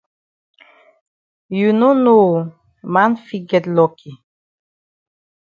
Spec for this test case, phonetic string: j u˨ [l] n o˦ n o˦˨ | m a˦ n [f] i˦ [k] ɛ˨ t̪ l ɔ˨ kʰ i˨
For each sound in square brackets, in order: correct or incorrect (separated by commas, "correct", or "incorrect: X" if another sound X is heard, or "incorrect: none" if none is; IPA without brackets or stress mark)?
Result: incorrect: none, correct, incorrect: ɡ